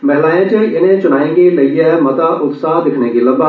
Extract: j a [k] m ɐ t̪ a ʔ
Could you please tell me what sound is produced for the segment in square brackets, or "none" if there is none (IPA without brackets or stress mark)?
none